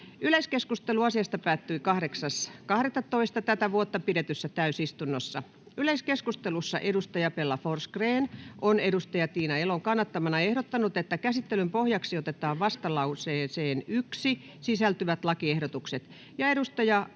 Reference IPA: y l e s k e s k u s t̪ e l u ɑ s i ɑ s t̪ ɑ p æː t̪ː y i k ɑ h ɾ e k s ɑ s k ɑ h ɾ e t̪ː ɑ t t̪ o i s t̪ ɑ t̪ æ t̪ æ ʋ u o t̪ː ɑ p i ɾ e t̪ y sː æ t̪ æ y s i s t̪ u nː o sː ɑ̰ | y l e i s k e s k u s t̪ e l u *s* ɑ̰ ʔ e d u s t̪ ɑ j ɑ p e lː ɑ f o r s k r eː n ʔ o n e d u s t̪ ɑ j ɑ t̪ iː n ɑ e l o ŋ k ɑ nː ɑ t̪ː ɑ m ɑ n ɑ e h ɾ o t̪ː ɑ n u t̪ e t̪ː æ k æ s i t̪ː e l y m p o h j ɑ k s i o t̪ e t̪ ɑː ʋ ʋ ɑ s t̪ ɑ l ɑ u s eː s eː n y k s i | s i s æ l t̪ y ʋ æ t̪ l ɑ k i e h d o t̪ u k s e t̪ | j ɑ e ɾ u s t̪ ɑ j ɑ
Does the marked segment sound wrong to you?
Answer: yes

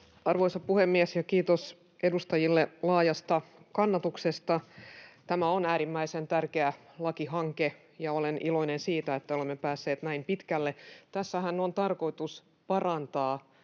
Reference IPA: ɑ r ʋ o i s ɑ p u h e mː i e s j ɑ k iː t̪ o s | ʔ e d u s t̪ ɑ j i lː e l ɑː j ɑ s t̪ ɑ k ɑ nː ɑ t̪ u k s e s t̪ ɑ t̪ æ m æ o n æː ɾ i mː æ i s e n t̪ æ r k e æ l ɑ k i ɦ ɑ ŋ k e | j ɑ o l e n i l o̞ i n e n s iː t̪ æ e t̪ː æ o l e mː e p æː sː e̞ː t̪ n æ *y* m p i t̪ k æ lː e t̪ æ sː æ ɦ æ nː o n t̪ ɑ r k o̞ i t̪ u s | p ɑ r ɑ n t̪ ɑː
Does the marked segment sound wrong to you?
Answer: yes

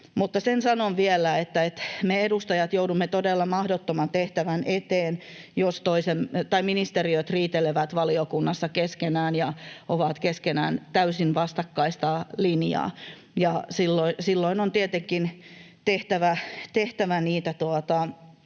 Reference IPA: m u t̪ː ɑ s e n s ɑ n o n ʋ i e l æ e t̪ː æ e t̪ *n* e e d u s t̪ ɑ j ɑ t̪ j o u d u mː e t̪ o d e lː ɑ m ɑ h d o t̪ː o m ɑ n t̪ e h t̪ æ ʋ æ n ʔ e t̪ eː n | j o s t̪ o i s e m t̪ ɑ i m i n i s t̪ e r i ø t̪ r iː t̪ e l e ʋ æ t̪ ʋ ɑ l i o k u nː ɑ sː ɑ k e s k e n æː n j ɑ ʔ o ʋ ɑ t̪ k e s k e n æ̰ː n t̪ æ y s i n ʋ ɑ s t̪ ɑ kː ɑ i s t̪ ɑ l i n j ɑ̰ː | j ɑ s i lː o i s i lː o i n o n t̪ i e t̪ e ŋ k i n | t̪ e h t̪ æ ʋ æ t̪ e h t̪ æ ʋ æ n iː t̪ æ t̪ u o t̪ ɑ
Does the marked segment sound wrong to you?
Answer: yes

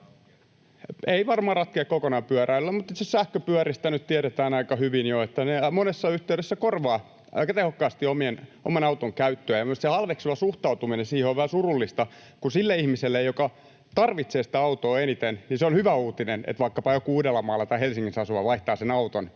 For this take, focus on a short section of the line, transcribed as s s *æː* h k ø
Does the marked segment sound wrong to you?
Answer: yes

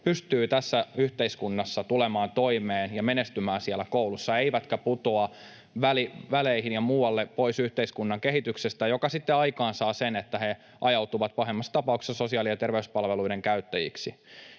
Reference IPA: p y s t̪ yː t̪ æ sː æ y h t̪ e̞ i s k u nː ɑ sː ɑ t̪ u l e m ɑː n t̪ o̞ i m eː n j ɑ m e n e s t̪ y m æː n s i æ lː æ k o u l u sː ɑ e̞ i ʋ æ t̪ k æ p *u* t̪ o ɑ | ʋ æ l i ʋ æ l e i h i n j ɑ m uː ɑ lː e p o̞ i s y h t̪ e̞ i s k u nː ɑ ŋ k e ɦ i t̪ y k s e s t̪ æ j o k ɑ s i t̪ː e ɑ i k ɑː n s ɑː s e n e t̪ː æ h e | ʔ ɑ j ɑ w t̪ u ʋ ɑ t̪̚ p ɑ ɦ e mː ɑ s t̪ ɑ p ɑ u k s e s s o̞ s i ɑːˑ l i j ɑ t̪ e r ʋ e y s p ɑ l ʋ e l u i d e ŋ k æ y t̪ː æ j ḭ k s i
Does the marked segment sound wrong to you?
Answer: no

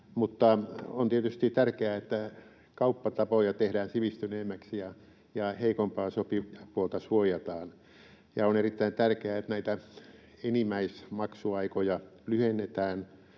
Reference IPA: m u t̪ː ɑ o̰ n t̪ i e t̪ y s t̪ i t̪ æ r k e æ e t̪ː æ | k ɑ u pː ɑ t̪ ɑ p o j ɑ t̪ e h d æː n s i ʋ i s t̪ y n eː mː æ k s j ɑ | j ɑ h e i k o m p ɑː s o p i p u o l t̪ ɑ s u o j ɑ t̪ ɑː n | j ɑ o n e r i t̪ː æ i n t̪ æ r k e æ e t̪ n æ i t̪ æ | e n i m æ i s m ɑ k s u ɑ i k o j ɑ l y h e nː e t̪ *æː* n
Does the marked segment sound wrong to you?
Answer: no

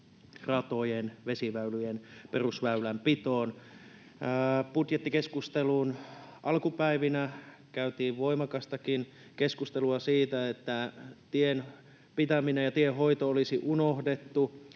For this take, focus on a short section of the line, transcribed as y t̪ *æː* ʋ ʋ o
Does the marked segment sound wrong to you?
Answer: yes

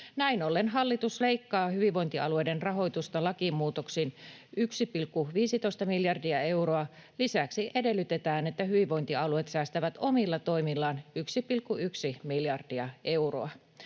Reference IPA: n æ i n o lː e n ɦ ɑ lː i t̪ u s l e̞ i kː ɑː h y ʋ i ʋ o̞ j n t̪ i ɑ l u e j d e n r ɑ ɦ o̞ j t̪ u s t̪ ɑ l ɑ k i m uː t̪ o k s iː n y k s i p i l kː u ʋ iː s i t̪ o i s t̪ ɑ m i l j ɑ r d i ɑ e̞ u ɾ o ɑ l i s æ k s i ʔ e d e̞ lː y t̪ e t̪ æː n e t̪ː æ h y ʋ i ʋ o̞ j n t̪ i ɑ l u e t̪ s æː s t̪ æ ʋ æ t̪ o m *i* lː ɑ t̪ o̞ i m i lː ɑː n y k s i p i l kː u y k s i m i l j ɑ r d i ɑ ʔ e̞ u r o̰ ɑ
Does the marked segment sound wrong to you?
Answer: no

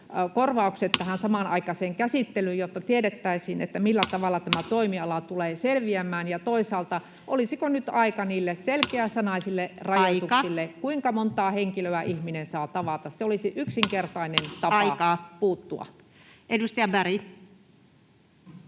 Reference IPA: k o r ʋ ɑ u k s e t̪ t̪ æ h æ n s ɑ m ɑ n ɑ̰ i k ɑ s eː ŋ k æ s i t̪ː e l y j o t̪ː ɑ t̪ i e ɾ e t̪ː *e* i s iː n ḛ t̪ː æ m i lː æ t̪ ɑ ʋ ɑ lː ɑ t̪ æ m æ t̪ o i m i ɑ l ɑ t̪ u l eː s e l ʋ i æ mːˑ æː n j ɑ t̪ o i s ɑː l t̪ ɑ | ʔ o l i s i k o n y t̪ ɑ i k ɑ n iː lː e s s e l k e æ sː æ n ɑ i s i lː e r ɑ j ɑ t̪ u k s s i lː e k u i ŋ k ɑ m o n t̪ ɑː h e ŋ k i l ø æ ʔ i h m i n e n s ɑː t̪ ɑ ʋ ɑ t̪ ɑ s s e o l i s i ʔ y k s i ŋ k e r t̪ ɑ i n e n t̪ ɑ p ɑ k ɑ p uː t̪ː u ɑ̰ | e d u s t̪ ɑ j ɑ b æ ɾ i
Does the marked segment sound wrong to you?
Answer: yes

